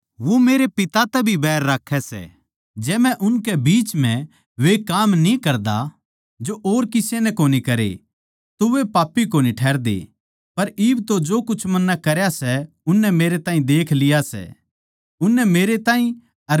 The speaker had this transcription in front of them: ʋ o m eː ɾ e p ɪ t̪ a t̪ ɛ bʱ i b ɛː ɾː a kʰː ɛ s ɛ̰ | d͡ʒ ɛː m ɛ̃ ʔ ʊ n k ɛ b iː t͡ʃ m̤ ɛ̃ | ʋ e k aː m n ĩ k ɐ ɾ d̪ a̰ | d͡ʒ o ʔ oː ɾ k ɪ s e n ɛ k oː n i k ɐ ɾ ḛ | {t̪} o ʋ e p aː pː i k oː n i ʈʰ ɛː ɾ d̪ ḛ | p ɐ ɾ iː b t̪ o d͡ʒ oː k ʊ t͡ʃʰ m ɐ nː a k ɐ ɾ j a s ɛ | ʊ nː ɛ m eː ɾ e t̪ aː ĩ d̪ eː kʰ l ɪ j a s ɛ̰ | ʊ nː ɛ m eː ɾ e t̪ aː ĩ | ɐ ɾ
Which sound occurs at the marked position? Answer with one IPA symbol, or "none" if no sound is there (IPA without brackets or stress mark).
t̪